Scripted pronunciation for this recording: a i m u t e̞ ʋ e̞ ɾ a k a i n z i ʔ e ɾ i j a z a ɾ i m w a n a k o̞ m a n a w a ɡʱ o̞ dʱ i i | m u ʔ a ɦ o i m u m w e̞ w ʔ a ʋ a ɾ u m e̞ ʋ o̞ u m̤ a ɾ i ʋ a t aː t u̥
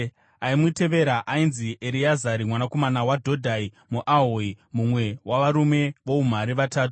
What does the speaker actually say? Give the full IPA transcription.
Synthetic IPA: a i m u t e̞ ʋ e̞ ɾ a ʔ a i n z i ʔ e ɾ i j a z a ɾ i m w a n a k o̞ m a n a w a dʱ o̞ dʱ a i | m u ʔ a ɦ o i m u m w e̞ w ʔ a ʋ a ɾ u m e̞ ʋ o̞ u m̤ a ɾ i ʋ a t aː t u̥